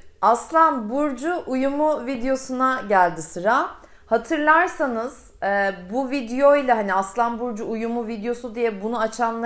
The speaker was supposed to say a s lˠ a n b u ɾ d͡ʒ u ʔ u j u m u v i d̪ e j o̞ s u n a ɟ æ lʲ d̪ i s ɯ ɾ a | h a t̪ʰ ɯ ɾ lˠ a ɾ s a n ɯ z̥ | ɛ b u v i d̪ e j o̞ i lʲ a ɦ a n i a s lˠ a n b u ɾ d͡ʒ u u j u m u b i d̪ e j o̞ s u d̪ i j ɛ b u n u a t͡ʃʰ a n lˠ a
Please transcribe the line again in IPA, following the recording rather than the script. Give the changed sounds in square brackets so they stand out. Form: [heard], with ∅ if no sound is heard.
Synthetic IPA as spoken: a s lˠ a n b u ɾ d͡ʒ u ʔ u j u m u v i d̪ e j o̞ s u n a ɟ æ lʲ d̪ i s ɯ ɾ a | h a t̪ʰ ɯ ɾ lˠ a ɾ s a n ɯ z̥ | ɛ b u v i d̪ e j o̞ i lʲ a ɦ a n i a s lˠ a n b u ɾ d͡ʒ u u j u m u [v] i d̪ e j o̞ s u d̪ i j ɛ b u n u a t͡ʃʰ a n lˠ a